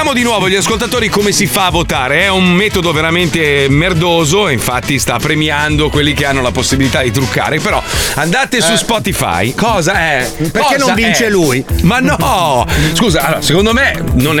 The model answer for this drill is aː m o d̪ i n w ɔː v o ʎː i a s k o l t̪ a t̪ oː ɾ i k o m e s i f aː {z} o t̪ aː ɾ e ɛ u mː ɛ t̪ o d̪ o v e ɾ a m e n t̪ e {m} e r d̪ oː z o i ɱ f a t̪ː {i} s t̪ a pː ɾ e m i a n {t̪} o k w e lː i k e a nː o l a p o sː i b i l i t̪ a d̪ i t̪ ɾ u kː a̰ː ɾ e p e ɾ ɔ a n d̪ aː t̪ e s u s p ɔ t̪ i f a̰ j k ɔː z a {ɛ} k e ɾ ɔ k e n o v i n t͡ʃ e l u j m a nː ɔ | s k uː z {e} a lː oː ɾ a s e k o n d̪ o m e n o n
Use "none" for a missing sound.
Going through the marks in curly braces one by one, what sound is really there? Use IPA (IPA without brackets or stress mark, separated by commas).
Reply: v, m, i, d̪, ɛ, a